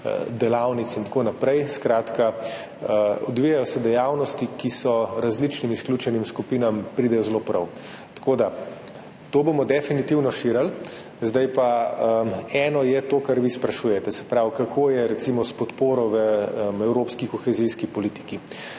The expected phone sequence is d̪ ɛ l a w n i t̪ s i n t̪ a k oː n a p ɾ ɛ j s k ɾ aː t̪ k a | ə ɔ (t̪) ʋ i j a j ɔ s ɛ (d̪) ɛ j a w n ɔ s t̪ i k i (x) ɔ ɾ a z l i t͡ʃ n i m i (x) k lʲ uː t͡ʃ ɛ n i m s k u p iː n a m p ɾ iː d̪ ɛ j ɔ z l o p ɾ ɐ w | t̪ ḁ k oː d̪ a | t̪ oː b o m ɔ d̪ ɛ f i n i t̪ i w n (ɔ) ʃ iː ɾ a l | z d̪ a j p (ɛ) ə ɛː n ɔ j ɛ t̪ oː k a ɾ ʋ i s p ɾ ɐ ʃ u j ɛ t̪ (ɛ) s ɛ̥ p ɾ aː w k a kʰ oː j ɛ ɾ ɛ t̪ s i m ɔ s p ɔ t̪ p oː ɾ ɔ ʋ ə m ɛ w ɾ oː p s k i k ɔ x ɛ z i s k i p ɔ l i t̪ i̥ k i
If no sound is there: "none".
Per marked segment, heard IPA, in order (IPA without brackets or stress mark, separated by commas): d̪, d̪, s, s, ɔ, a, ɛ